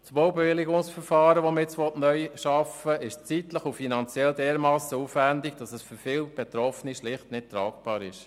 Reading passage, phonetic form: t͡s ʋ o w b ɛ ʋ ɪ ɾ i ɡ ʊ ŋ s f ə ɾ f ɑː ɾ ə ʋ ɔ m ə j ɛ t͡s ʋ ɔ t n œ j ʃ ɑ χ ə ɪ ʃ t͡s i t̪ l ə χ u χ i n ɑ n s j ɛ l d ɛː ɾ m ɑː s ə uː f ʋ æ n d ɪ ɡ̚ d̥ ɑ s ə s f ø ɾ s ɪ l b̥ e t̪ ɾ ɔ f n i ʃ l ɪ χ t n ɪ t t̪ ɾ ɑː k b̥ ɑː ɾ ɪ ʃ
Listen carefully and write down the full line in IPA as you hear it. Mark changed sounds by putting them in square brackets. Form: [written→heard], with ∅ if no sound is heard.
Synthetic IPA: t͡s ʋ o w b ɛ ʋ ɪ [ɾ→l] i ɡ ʊ ŋ s f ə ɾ f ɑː ɾ ə ʋ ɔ m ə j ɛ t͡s ʋ ɔ t n œ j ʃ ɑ [χ→f] ə ɪ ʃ t͡s i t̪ l ə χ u [χ→f] i n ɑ n [s→t͡s] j ɛ l d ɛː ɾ m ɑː s ə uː f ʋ æ n d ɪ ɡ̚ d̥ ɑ s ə s f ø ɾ [s→f] ɪ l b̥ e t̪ ɾ ɔ f n i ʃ l ɪ χ t n ɪ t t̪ ɾ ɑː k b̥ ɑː ɾ ɪ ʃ

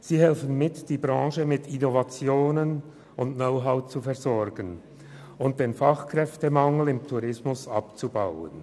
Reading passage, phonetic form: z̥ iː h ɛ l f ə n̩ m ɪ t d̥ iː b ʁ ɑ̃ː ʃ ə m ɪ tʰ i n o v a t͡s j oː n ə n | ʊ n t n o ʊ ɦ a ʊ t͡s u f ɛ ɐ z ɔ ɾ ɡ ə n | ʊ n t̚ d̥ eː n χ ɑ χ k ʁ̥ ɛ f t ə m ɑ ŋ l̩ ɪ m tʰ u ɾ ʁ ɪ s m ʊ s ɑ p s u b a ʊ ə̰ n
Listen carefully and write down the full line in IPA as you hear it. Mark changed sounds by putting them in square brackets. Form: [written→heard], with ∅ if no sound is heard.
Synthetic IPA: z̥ iː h ɛ l f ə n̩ m ɪ t d̥ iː b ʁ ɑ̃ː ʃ ə m ɪ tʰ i n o v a t͡s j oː n ə n | ʊ n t n o ʊ ɦ a ʊ t͡s u f ɛ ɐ z ɔ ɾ ɡ ə n | ʊ n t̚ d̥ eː n [χ→f] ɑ χ k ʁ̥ ɛ f t ə m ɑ ŋ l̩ ɪ m tʰ u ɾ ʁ ɪ s m ʊ s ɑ p [s→t͡s] u b a ʊ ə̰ n

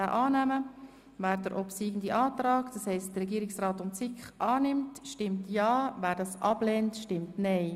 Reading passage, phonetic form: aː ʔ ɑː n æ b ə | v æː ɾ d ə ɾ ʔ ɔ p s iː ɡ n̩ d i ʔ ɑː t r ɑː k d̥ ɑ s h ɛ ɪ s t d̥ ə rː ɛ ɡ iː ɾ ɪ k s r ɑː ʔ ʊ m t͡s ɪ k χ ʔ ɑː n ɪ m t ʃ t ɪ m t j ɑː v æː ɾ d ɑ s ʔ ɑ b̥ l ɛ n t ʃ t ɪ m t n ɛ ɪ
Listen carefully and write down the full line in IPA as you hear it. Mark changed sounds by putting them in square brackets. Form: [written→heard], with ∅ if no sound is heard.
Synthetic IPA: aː ʔ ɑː n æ [b→m] ə | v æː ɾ d ə ɾ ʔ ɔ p s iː ɡ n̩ d i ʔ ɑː t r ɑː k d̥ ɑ s h ɛ ɪ s t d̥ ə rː ɛ ɡ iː ɾ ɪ k s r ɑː [ʔ→t] ʊ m t͡s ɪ k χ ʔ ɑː n ɪ m t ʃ t ɪ m t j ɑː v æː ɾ d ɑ s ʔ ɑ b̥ l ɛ n t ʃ t ɪ m t n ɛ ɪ

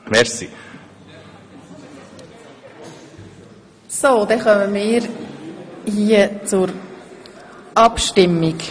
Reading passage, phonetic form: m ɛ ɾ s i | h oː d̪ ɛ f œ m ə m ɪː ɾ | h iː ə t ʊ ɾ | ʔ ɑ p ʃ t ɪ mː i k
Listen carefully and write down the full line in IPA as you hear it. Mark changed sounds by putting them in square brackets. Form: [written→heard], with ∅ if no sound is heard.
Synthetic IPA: m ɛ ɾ s i | [h→s] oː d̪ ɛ [f→χ] œ m ə m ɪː ɾ | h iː ə [t→t͡s] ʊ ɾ | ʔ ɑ p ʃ t ɪ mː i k

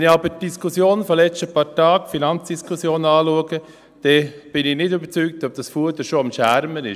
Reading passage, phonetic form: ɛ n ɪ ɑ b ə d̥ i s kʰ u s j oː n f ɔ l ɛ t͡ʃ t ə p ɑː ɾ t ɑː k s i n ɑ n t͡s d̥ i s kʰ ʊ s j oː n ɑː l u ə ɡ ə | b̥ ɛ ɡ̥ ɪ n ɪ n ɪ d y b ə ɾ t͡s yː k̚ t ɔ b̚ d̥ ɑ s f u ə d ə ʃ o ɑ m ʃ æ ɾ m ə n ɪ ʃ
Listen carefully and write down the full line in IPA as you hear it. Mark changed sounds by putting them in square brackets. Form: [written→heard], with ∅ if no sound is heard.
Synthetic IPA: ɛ n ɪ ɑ b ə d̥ i s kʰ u s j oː n f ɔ l ɛ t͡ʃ t ə p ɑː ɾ t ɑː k [s→f] i n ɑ n t͡s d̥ i s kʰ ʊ s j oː n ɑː l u ə ɡ ə | [b̥→d̥] ɛ [ɡ̥→b̥] ɪ n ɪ n ɪ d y b ə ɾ t͡s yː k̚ t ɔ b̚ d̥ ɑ s f u ə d ə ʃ o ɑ m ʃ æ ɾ m ə n ɪ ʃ

